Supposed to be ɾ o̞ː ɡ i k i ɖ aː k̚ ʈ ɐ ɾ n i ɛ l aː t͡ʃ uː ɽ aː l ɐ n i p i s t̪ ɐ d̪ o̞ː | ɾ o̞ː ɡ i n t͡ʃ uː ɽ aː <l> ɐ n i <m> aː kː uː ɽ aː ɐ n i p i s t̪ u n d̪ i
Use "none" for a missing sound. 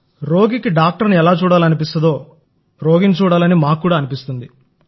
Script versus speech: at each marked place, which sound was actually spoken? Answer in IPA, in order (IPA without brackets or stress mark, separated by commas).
l, m